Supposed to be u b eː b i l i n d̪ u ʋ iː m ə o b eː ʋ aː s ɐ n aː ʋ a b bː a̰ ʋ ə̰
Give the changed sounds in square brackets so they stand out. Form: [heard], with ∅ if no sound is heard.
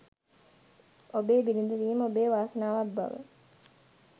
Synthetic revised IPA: [o] b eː b i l i n d̪ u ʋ iː m ə o b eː ʋ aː s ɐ n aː ʋ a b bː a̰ ʋ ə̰